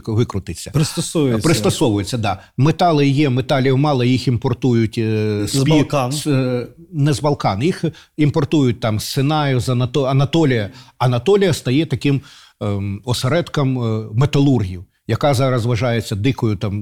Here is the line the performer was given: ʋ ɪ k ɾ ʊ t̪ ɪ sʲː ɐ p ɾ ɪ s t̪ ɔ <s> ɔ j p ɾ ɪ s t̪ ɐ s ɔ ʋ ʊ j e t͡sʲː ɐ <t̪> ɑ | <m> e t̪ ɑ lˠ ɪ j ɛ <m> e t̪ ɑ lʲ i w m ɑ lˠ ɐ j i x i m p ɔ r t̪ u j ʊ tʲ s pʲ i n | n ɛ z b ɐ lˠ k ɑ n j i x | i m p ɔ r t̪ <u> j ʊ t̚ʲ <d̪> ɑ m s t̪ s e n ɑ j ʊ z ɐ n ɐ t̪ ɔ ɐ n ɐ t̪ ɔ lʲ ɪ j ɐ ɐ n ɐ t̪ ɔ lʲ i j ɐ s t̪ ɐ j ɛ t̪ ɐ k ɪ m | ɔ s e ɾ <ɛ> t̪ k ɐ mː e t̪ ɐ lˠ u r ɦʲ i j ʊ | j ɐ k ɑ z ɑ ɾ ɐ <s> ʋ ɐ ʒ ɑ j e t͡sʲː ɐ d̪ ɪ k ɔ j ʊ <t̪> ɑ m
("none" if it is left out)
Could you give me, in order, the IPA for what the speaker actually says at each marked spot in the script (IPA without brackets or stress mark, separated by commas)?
s, d̪, m, m, u, t̪, ɛ, z, t̪